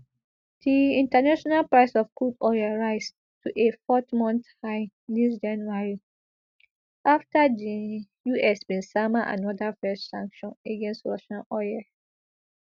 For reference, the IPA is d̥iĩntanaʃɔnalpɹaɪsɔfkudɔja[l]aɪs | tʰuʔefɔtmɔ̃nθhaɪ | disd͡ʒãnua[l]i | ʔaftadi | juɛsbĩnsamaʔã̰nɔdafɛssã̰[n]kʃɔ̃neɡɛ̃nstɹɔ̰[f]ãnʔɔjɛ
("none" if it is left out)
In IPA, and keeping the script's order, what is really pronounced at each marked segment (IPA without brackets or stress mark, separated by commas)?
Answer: ɹ, ɹ, ŋ, ʃ